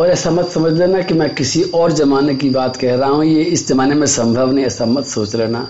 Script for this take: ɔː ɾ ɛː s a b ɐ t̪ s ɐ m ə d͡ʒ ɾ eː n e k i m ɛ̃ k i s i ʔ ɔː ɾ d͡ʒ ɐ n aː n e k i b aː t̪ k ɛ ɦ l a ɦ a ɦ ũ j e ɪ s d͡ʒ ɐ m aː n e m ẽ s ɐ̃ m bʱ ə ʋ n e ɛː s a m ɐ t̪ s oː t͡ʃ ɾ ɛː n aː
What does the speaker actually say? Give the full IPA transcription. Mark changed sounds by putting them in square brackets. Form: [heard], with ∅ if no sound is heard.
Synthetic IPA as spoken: ɔː ɾ ɛː s a [m] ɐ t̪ s ɐ m ə d͡ʒ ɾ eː n [a] k i m ɛ̃ k [ɪ] s i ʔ ɔː ɾ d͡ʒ ɐ [m] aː n e k i b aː t̪ k ɛ ɦ [ɾ] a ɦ a ɦ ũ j e ɪ s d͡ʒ ɐ m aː n e m ẽ s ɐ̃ m bʱ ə ʋ n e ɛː s a m ɐ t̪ s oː t͡ʃ ɾ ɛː n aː